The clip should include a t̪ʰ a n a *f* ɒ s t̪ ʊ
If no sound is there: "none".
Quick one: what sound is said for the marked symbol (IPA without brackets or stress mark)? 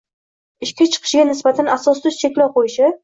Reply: s